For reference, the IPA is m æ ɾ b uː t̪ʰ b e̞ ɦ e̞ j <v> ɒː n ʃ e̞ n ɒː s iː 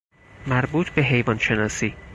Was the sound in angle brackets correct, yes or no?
yes